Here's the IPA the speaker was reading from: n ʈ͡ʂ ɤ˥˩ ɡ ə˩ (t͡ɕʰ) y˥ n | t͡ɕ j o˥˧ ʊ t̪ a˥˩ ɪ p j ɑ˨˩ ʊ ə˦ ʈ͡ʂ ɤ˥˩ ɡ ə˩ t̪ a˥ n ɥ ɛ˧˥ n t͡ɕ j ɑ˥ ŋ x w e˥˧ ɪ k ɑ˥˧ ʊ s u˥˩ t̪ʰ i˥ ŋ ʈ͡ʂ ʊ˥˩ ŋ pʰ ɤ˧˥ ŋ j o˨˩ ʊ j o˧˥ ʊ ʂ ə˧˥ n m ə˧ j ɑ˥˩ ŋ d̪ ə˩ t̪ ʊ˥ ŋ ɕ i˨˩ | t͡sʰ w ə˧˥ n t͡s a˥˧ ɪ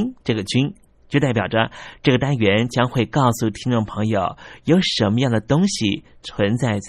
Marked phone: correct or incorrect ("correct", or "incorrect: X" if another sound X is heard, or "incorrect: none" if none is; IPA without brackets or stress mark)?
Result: incorrect: t͡ɕ